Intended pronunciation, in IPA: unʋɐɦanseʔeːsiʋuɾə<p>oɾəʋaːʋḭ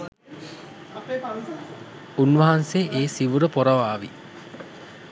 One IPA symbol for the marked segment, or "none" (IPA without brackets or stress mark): p